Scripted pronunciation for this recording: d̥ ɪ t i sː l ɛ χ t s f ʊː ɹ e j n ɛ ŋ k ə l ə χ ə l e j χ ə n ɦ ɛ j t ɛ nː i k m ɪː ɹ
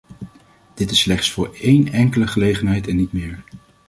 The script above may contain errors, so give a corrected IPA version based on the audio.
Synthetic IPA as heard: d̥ ɪ t ɪ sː l ɛ χ t s f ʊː ɹ e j n ɛ ŋ k ə l ə χ ə l e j χ ə n ɦ ɛ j t ɛ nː i t m ɪː ɹ